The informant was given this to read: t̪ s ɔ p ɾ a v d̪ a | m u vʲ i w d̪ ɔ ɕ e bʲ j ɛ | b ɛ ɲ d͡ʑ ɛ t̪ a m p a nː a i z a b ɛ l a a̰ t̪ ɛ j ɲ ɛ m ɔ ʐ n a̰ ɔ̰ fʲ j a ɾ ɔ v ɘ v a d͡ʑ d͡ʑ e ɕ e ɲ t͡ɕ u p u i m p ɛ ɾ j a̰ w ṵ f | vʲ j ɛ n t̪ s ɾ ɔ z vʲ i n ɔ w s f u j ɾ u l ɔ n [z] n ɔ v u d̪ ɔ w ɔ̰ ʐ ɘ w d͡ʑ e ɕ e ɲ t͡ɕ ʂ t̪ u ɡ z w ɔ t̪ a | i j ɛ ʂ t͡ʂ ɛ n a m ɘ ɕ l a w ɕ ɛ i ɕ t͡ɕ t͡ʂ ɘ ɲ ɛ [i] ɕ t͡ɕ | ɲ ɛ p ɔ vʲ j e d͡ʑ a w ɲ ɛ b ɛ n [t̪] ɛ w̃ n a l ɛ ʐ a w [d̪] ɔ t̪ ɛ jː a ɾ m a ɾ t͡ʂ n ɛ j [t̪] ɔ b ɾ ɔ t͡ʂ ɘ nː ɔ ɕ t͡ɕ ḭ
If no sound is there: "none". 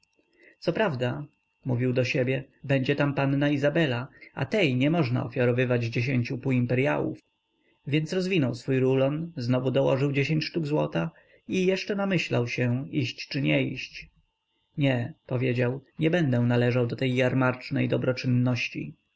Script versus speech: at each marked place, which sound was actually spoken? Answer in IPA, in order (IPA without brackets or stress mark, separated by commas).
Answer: z, i, d̪, d̪, d̪